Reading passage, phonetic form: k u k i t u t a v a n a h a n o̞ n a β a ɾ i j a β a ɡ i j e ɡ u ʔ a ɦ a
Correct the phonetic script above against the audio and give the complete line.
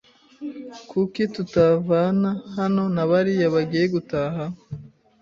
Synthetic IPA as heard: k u k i t u t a v a n a h a n o̞ n a β a ɾ i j a β a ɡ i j e ɡ u t a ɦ a